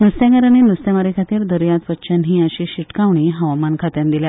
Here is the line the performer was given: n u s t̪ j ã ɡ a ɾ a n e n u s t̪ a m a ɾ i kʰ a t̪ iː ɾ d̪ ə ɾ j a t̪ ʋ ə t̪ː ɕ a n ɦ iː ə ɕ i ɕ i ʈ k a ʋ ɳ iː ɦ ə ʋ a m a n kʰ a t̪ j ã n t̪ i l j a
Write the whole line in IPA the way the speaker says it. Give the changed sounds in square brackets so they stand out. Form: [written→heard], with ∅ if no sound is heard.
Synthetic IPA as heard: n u s t̪ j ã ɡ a ɾ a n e n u s t̪ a m a ɾ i kʰ a t̪ iː ɾ d̪ ə ɾ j a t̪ ʋ ə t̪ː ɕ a n ɦ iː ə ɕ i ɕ i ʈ k a ʋ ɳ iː ɦ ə ʋ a m a n kʰ a t̪ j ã n [t̪→d̪] i l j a